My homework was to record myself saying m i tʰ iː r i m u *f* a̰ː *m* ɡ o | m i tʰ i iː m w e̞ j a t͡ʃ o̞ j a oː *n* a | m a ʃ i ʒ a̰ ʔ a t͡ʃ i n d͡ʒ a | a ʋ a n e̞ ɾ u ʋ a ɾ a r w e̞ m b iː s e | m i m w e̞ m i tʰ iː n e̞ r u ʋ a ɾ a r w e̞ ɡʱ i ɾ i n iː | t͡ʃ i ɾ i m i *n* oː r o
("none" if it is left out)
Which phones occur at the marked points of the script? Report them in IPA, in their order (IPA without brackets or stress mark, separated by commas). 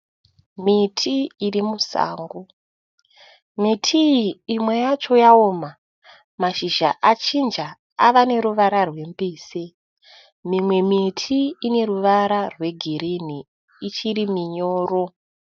s, ŋ, m, ɲ